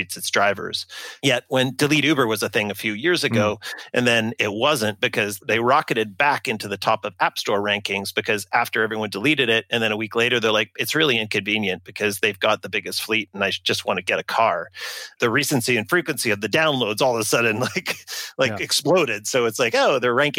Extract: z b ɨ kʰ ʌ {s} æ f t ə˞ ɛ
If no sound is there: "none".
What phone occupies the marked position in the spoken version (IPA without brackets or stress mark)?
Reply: z